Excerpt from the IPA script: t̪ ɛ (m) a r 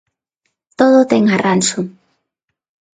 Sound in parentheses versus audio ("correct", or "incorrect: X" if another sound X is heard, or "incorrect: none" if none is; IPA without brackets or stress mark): incorrect: ŋ